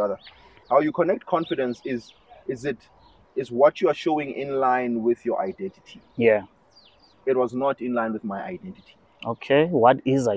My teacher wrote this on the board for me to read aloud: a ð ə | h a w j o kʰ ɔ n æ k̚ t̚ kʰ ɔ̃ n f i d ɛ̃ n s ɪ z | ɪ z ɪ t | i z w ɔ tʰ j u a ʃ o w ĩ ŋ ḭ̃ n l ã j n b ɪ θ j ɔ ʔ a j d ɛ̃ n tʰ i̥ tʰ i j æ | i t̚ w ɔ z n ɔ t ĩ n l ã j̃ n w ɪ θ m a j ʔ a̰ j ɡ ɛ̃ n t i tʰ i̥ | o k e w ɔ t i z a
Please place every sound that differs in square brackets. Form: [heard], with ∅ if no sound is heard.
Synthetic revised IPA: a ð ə | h a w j [u] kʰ ɔ n [ɛ] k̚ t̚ kʰ ɔ̃ n f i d ɛ̃ n s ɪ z | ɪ z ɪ t | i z w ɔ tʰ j u a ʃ o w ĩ ŋ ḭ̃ n l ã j n [w] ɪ θ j ɔ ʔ a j d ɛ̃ n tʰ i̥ tʰ i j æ | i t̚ w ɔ z n ɔ t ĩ n l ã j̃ n w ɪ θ m a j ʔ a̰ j [d] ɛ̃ n t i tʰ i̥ | o [kʰ] e w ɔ t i z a